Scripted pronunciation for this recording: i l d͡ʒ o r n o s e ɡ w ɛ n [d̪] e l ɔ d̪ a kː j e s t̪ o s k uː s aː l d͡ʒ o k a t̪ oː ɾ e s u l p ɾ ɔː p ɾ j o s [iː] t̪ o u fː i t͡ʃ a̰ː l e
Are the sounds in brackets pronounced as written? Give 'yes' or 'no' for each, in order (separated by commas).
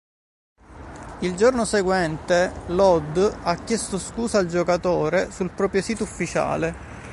no, yes